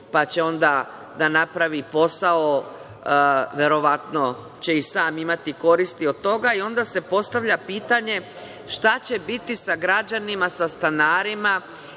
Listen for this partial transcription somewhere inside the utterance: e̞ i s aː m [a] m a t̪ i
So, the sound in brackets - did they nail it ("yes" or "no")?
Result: no